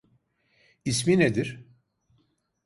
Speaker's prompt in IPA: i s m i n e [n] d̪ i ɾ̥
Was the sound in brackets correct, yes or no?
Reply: no